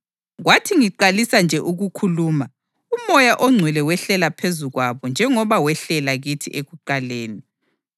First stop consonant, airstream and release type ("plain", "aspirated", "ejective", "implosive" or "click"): aspirated